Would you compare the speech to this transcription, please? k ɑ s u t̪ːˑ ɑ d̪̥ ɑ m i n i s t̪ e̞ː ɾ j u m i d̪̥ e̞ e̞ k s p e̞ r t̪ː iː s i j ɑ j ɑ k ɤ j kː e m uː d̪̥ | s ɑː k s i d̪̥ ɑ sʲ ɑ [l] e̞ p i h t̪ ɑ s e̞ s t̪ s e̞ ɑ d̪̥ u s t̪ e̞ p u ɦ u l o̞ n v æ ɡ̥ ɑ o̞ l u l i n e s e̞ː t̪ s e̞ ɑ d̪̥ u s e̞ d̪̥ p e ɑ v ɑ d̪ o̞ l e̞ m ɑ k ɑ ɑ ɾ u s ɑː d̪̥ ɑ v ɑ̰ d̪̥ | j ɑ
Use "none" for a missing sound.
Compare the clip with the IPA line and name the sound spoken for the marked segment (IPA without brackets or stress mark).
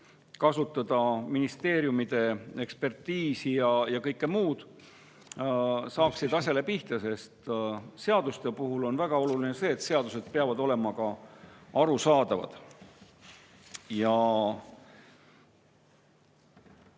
l